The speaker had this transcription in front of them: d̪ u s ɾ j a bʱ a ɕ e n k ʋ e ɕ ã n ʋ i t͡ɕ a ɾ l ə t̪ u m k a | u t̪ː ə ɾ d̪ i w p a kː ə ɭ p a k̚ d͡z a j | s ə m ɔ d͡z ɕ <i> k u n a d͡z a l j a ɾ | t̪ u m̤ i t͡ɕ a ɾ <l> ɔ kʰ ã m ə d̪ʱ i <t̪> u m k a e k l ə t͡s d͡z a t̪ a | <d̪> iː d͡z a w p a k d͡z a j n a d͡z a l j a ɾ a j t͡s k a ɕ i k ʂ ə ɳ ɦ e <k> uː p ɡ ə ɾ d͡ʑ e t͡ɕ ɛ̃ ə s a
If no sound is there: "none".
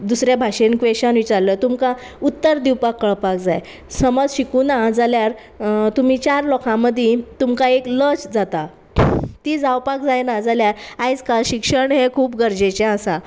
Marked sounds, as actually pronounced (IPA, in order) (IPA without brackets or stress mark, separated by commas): i, l, t̪, t̪, kʰ